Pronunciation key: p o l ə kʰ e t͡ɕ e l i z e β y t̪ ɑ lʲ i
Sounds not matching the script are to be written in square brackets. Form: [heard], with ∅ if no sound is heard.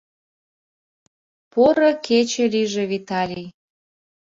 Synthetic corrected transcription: p o [ɾ] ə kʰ e t͡ɕ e l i [ʒ] e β [i] t̪ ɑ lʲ i